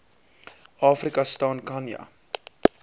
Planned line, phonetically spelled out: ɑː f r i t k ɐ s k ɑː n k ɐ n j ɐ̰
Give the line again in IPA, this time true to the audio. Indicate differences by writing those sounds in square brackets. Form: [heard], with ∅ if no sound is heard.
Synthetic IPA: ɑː f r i [∅] k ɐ s [t] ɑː n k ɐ n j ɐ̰

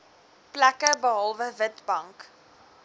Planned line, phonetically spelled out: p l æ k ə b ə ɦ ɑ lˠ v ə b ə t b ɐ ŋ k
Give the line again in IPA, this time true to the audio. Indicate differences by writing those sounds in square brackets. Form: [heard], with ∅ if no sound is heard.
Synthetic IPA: p l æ k ə b ə ɦ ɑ lˠ v ə [v] ə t b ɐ ŋ k

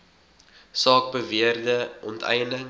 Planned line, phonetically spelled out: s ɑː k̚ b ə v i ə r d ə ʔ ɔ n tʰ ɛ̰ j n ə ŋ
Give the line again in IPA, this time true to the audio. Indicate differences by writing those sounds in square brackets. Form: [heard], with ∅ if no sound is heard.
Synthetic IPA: s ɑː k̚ b ə v i ə r d ə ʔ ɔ n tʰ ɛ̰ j n ə ŋ

